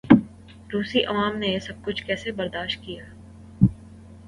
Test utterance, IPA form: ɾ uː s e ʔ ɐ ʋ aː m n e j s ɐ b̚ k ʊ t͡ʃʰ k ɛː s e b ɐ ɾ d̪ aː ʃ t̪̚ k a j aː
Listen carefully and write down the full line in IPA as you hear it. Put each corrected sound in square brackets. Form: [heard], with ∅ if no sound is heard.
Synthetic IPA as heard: ɾ uː s [i] ʔ ɐ ʋ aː m n e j s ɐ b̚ k ʊ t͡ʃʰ k ɛː s e b ɐ ɾ d̪ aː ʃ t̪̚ k [i] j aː